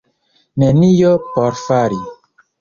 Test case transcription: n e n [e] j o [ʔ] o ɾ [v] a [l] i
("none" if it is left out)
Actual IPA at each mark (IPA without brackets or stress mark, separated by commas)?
i, p, f, ɾ